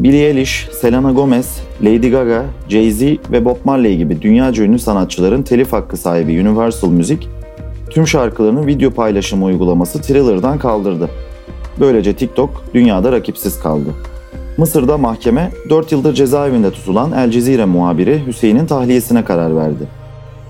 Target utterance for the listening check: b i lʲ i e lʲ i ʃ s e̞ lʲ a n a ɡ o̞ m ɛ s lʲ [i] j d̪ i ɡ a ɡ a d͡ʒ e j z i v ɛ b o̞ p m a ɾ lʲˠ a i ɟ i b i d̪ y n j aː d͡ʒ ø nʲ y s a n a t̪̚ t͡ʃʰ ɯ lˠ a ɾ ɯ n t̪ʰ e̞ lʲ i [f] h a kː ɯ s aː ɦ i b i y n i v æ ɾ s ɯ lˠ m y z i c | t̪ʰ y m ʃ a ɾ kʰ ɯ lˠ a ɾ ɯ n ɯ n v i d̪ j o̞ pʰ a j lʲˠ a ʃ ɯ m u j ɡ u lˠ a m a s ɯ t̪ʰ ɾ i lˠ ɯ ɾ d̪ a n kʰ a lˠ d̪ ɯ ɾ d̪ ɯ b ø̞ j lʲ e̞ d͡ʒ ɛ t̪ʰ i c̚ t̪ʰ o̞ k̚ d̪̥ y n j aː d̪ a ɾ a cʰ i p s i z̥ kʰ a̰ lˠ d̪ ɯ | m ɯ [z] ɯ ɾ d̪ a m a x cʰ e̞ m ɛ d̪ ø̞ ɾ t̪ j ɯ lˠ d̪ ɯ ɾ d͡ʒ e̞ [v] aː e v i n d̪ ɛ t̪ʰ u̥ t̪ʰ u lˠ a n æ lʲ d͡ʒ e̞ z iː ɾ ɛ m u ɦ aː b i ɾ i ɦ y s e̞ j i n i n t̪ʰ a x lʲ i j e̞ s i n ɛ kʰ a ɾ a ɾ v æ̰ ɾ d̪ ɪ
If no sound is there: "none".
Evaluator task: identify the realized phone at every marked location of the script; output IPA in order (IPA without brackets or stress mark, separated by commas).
e, f, s, z